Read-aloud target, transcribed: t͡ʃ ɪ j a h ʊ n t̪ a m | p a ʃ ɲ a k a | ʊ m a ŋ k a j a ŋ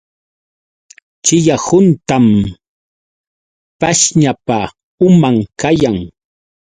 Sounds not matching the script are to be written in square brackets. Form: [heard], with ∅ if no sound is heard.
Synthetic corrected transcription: t͡ʃ ɪ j a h ʊ n t̪ a m | p a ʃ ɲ a [p] a | ʊ m a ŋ k a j a ŋ